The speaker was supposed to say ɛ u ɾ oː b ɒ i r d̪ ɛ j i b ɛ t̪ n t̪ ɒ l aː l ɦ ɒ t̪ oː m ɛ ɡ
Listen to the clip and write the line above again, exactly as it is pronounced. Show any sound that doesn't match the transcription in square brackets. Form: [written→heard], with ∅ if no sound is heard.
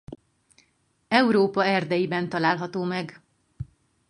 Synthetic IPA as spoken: ɛ u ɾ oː [b→p] ɒ [i→ɛ] r d̪ ɛ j i b ɛ [t̪→∅] n t̪ ɒ l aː l ɦ ɒ t̪ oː m ɛ ɡ